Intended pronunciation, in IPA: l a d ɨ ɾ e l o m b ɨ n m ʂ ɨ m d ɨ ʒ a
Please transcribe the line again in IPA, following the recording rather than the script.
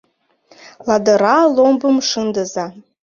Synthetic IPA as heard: l a d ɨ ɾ a l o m b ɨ m ʂ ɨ n d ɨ z a